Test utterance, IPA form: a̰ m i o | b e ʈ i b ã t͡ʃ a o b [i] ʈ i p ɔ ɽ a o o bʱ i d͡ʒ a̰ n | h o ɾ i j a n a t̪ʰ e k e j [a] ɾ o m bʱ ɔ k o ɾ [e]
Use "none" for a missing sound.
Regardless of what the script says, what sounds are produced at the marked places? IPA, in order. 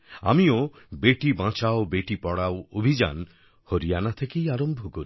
e, a, i

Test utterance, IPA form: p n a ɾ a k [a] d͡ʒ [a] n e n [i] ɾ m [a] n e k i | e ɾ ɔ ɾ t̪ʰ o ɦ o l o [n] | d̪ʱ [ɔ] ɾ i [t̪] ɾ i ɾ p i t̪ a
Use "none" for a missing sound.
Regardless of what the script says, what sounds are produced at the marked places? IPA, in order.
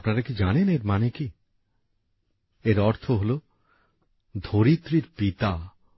i, a, e, a, none, o, t̪

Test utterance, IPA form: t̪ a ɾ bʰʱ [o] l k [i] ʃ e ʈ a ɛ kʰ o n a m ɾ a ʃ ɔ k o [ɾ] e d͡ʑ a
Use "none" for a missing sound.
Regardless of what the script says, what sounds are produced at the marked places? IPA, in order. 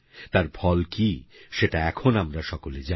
ɔ, i, l

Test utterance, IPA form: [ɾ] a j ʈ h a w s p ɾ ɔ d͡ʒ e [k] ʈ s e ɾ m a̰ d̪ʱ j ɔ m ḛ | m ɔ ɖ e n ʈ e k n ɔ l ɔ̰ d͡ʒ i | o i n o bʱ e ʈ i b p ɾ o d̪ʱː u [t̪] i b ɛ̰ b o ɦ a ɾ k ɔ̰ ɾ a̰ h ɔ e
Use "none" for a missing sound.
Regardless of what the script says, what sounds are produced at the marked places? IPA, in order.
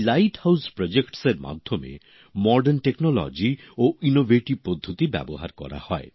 l, k, t̪

